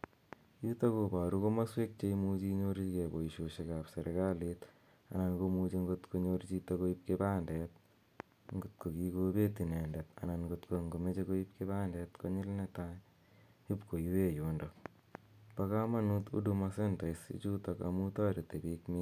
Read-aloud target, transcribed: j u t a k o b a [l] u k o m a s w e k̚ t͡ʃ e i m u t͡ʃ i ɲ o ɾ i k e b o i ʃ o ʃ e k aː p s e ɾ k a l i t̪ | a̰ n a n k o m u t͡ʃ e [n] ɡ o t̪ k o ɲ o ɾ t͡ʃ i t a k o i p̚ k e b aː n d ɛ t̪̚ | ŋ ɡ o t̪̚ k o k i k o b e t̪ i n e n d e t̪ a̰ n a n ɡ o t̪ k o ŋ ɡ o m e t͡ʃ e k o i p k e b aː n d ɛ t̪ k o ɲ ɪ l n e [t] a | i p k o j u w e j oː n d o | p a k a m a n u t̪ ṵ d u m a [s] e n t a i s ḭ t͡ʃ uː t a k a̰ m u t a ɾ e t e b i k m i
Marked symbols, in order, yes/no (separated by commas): no, no, yes, yes